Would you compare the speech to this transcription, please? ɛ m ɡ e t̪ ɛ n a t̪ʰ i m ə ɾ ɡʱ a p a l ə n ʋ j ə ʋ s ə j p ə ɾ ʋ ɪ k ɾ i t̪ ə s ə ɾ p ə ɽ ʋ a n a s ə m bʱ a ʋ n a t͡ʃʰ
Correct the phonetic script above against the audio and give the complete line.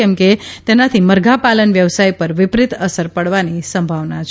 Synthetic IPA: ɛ m k e t̪ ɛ n a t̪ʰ i m ə ɾ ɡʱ a p a l ə n ʋ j ə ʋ s a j p ə ɾ ʋ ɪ p ɾ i t̪ ə s ə ɾ p ə ɽ ʋ a n i s ə m bʱ a ʋ n a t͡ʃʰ